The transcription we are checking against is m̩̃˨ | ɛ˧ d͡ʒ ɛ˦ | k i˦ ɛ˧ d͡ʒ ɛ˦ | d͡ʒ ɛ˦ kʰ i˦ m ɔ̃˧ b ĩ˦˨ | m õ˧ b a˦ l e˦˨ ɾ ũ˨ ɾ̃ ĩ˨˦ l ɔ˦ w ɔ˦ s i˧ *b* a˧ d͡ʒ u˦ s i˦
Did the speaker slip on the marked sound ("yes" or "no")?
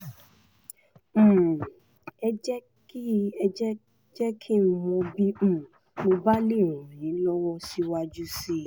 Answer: yes